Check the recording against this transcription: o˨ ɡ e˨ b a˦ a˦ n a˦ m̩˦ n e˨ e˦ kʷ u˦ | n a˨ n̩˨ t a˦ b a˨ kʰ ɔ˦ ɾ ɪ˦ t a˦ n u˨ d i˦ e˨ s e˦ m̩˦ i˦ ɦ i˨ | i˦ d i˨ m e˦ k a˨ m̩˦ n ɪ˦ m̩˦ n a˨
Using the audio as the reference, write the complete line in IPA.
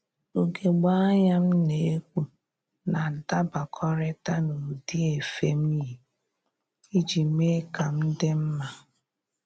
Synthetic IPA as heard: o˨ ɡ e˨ ɡ͡b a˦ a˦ ɲ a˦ m̩˦ n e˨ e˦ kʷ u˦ | n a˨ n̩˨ t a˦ b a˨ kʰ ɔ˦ ɾ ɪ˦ t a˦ n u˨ d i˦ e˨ f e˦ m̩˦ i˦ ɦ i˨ | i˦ d͡ʒ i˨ m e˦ k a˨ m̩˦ d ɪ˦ m̩˦ m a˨